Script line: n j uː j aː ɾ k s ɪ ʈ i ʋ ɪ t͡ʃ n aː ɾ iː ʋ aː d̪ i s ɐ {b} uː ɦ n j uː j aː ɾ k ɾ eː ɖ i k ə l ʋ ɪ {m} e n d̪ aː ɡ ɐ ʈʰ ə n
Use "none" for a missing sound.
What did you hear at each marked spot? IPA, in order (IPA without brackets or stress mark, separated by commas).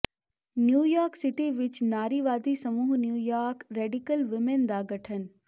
m, m